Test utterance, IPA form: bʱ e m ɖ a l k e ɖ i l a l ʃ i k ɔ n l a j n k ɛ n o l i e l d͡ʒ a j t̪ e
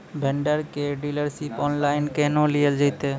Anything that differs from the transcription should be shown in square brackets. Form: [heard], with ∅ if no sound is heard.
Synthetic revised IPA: bʱ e [ɳ] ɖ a [ɾ] k e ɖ i l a [ɾ] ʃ i [p] ɔ n l a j n k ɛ n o l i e l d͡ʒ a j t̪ e

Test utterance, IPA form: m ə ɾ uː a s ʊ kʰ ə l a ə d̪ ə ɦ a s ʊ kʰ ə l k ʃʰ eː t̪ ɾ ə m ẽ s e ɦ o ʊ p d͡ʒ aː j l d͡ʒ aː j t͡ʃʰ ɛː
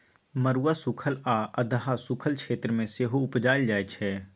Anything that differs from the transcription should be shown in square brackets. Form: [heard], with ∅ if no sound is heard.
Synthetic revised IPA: m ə ɾ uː a s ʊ kʰ ə l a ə d̪ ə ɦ a s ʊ kʰ ə l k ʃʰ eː t̪ ɾ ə m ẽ s e ɦ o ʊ p d͡ʒ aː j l d͡ʒ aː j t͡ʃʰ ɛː

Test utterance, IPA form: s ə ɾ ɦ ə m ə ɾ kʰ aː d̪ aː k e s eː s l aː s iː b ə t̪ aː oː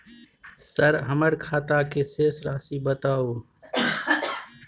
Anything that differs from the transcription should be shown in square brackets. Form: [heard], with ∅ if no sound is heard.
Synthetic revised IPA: s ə ɾ ɦ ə m ə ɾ kʰ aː [t̪] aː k e s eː s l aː s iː b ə t̪ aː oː

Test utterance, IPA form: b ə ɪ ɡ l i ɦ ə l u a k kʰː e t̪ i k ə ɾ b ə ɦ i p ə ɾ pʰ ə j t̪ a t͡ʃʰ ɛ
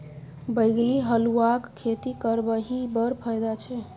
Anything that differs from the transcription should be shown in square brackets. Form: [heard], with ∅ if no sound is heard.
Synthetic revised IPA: b ə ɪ ɡ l i ɦ ə l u a k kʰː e t̪ i k ə ɾ b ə ɦ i [b] ə ɾ pʰ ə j [d̪] a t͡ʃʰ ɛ

